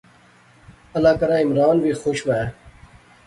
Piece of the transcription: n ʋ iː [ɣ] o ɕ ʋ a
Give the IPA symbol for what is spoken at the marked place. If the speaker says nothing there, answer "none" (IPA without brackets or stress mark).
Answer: x